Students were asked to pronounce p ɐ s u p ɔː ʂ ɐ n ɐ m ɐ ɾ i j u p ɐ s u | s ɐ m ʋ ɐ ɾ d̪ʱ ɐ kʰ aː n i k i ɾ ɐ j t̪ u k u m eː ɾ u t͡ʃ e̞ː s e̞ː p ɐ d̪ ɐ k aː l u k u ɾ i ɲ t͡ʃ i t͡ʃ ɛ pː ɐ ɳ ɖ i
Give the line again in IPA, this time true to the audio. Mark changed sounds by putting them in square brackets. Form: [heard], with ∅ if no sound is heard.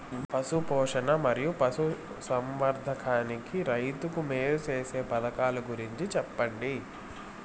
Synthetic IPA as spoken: p ɐ s u p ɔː ʂ ɐ n ɐ m ɐ ɾ i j u p ɐ s u | s ɐ m ʋ ɐ ɾ d̪ʱ ɐ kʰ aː n i k i ɾ ɐ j t̪ u k u m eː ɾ u t͡ʃ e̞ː s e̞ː p ɐ d̪ ɐ k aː l u [ɡ] u ɾ i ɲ t͡ʃ i t͡ʃ ɛ pː ɐ ɳ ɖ i

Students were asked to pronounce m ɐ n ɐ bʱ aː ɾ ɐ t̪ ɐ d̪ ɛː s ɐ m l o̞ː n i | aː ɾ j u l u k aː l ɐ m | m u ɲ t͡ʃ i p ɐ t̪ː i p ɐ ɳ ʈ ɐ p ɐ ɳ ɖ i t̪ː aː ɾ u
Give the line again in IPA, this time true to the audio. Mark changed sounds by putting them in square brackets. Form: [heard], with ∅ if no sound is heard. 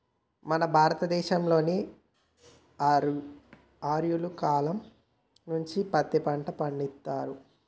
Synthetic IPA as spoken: m ɐ n ɐ bʱ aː ɾ ɐ t̪ ɐ d̪ ɛː [ʃ] ɐ m l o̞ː n i | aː ɾ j u l u k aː l ɐ m | [n] u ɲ t͡ʃ i p ɐ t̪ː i p ɐ ɳ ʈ ɐ p ɐ ɳ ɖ i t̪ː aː ɾ u

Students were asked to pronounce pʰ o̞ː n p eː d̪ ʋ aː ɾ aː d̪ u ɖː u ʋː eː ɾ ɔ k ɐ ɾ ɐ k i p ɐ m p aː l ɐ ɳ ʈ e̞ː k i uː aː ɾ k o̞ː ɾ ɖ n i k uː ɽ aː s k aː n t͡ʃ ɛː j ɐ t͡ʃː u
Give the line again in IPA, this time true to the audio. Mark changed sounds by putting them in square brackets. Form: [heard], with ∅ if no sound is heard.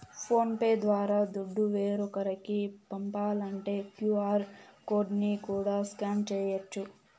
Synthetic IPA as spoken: pʰ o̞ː n p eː d̪ ʋ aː ɾ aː d̪ u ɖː u [ʋ] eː ɾ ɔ k ɐ ɾ ɐ k i p ɐ m p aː l ɐ ɳ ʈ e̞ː k [j] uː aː ɾ k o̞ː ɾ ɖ n i k uː ɽ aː s k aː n t͡ʃ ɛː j ɐ t͡ʃː u

